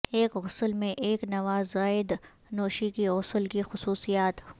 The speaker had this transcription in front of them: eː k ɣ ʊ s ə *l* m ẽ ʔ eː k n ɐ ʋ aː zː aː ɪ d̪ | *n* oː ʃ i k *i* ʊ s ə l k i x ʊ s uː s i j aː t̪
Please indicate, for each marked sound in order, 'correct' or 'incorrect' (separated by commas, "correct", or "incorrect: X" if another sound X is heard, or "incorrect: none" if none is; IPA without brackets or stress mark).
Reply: correct, correct, correct